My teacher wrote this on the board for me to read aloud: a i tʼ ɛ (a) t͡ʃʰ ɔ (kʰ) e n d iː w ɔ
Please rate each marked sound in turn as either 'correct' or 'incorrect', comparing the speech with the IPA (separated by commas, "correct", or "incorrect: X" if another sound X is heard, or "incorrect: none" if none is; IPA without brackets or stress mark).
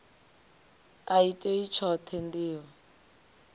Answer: incorrect: i, incorrect: tʰ